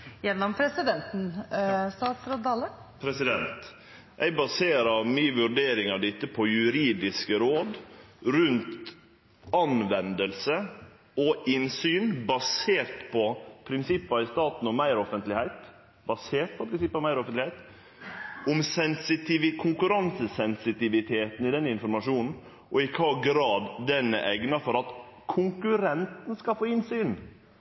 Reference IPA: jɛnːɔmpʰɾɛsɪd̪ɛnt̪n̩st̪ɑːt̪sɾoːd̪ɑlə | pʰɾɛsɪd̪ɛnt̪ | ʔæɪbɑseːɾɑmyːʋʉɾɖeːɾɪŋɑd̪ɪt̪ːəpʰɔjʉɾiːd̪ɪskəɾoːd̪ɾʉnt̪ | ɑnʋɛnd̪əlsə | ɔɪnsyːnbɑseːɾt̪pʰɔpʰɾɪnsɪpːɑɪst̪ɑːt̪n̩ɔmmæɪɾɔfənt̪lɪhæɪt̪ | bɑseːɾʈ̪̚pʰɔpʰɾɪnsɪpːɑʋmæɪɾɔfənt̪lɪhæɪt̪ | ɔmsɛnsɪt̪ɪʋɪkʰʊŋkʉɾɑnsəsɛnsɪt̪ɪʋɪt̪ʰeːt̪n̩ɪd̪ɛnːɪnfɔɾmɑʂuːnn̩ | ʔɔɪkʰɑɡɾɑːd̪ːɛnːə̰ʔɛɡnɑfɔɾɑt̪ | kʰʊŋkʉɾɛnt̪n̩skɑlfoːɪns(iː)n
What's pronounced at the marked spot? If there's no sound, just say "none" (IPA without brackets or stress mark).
yː